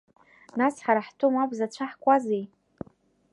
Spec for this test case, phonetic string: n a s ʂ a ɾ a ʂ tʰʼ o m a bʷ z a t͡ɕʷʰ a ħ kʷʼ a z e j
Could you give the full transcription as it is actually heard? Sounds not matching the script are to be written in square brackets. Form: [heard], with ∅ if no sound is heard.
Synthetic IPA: n a s [ħ] a ɾ a [ħ] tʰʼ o m a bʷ z a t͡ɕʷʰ a ħ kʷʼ a z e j